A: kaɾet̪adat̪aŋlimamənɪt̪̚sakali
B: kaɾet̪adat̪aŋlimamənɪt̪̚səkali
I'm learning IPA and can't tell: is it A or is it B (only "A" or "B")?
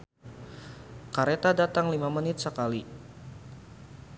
B